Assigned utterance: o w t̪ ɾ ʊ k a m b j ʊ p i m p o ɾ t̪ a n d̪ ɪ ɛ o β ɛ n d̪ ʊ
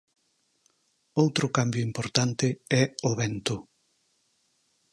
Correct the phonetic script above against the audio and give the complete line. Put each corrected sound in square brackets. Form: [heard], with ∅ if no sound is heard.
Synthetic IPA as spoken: o w t̪ ɾ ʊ k a m b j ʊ [∅] i m p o ɾ t̪ a n [t̪] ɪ ɛ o β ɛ n [t̪] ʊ